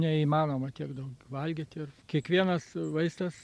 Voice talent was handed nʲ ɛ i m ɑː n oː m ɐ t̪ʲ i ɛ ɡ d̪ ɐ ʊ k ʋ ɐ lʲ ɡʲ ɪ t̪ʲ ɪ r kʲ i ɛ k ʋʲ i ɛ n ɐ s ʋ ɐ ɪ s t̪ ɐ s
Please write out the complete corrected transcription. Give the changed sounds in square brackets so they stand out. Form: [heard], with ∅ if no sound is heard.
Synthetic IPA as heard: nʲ ɛ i m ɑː n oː m ɐ t̪ʲ i ɛ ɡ d̪ ɐ ʊ k ʋ ɐ lʲ ɡʲ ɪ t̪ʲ ɪ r kʲ i ɛ k ʋʲ i ɛ n ɐ s ʋ ɐ ɪ s t̪ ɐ s